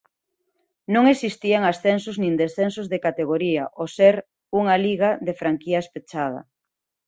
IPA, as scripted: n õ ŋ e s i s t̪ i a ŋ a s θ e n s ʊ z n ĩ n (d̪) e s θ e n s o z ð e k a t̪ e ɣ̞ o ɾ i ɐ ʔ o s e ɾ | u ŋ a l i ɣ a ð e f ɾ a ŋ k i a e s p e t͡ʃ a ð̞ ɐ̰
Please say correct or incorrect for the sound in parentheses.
correct